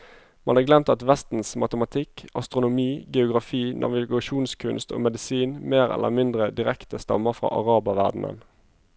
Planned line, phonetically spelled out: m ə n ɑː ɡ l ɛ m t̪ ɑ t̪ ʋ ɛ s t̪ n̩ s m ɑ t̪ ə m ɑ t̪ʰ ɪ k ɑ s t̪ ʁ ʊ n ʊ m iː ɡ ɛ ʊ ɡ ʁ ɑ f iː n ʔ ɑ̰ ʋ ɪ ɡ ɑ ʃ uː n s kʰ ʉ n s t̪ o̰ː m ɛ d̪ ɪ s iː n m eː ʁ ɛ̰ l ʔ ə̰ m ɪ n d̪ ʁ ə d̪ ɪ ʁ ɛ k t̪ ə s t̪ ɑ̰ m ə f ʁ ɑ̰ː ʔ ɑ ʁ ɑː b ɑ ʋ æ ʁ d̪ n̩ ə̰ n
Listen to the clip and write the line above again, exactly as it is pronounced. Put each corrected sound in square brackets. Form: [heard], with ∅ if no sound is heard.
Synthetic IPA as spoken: m [ɑ] n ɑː ɡ l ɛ m t̪ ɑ t̪ ʋ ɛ s t̪ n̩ s m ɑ t̪ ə m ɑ t̪ʰ ɪ k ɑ s t̪ ʁ ʊ n ʊ m iː ɡ ɛ ʊ ɡ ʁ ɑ f iː n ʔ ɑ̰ ʋ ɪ ɡ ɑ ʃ uː n s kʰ ʉ n s t̪ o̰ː m ɛ d̪ ɪ s iː n m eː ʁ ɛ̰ l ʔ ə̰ m ɪ n d̪ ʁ ə d̪ ɪ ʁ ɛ k t̪ ə s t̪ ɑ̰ m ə f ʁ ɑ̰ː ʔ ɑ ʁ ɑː b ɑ ʋ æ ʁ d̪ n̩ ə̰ n

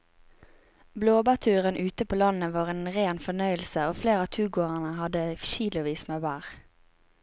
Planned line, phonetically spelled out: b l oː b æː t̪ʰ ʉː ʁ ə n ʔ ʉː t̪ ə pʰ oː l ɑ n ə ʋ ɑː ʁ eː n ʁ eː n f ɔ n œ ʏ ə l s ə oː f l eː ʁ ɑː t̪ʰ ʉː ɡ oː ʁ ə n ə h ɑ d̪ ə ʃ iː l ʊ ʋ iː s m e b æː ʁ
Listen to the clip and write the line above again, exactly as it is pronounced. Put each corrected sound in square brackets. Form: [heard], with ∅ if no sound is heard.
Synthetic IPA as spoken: b l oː b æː t̪ʰ ʉː ʁ ə n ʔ ʉː t̪ ə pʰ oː l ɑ n ə ʋ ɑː ʁ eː n ʁ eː n f ɔ n œ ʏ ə l s ə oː f l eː ʁ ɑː t̪ʰ ʉː ɡ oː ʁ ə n ə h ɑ d̪ ə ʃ iː l ʊ ʋ iː s m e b æː ʁ

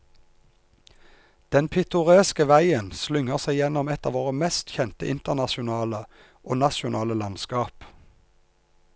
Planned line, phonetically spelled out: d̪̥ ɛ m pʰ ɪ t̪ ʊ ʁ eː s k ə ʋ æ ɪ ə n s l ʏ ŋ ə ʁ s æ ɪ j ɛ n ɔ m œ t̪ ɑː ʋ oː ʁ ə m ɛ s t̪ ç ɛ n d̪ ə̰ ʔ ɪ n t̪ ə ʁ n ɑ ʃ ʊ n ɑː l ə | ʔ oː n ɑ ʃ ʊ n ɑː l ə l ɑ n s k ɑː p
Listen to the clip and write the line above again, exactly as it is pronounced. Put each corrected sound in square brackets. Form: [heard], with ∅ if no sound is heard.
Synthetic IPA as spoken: d̪̥ ɛ [n] pʰ ɪ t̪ ʊ ʁ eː s k ə ʋ æ ɪ ə n s l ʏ ŋ ə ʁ s æ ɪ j ɛ n ɔ m [ɛ] t̪ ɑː ʋ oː ʁ ə m ɛ s t̪ ç ɛ n [t̪] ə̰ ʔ ɪ n t̪ ə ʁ n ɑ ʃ ʊ n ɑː l ə | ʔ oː n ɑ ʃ ʊ n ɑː l ə l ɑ n s k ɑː p

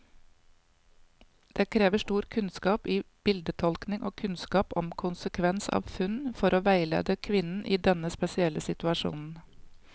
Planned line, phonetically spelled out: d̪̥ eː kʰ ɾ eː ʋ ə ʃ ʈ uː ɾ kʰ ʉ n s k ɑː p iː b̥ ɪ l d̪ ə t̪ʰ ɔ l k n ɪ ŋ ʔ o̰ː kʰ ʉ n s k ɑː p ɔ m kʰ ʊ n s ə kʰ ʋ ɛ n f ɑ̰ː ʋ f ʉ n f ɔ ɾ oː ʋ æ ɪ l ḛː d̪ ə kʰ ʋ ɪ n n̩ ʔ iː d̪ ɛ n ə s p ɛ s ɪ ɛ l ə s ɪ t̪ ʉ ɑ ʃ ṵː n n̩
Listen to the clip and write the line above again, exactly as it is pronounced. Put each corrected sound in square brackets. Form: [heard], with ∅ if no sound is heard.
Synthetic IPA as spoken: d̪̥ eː kʰ ɾ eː ʋ ə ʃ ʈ uː ɾ kʰ ʉ n s k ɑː p iː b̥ ɪ l d̪ ə t̪ʰ ɔ l k n ɪ ŋ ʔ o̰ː kʰ ʉ n s k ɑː p ɔ m kʰ ʊ n s ə kʰ ʋ ɛ n [s] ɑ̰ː ʋ f ʉ n f ɔ ɾ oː ʋ æ ɪ l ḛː d̪ ə kʰ ʋ ɪ n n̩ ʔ iː d̪ ɛ n ə s p ɛ s ɪ ɛ l ə s ɪ t̪ ʉ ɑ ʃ ṵː n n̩

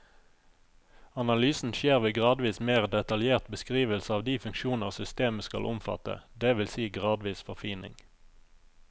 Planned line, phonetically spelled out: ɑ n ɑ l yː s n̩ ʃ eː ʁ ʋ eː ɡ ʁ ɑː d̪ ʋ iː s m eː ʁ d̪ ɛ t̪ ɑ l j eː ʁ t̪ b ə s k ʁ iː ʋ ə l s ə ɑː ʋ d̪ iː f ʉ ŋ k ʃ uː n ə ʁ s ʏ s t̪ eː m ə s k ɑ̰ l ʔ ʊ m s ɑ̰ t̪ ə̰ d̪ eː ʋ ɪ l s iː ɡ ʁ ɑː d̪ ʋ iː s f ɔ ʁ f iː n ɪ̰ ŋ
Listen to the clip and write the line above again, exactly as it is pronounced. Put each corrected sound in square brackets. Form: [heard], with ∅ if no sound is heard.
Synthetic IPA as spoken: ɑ n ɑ l yː s n̩ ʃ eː ʁ ʋ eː ɡ ʁ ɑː d̪ ʋ iː s m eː ʁ d̪ ɛ t̪ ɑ l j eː ʁ t̪ b ə s k ʁ iː ʋ ə l s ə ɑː ʋ d̪ iː f ʉ ŋ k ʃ uː n ə ʁ s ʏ s t̪ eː m ə s k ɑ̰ l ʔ ʊ m [f] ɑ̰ t̪ ə̰ d̪ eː ʋ ɪ l s iː ɡ ʁ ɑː d̪ ʋ iː s f ɔ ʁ f iː n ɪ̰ ŋ

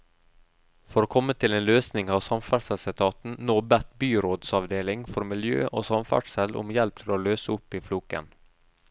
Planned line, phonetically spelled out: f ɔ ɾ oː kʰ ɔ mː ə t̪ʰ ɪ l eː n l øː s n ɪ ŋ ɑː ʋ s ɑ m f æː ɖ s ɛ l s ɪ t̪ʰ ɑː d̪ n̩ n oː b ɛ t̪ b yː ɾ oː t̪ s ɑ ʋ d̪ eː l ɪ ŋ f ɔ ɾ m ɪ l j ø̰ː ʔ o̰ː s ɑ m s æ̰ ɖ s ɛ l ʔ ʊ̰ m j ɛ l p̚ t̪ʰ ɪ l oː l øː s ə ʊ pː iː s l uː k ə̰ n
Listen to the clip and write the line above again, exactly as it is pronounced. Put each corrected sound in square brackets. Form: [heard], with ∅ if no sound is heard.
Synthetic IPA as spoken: f ɔ ɾ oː kʰ ɔ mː ə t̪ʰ ɪ l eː n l øː s n ɪ ŋ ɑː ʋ s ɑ m f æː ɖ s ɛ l s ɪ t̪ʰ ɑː [t̪] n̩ n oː b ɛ t̪ b yː ɾ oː [d̪] s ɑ ʋ d̪ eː l ɪ ŋ f ɔ ɾ m ɪ l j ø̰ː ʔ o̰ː s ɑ m [f] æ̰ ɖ s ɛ l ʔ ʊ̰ m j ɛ l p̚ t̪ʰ ɪ l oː l øː s ə ʊ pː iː [f] l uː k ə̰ n

